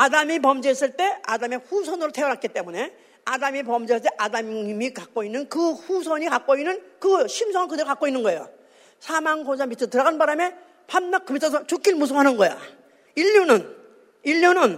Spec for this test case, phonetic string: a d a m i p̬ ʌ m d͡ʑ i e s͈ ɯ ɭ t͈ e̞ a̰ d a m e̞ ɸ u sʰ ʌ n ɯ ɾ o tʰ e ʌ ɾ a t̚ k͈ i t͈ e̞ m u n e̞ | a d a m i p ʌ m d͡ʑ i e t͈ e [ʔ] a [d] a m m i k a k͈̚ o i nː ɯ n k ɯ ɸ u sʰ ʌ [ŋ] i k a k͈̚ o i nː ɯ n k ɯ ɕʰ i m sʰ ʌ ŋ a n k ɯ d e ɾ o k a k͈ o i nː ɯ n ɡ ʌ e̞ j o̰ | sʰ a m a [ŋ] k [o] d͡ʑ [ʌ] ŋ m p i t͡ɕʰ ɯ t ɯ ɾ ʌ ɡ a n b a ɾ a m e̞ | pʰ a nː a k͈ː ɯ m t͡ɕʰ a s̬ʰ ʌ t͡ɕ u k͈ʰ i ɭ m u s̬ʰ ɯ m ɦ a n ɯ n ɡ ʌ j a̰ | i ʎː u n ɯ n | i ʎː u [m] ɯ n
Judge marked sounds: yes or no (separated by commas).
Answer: yes, yes, no, yes, yes, no, no